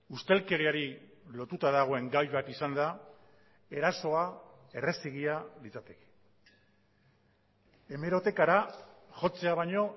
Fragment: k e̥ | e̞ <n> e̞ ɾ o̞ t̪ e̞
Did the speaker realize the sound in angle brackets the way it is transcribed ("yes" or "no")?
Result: no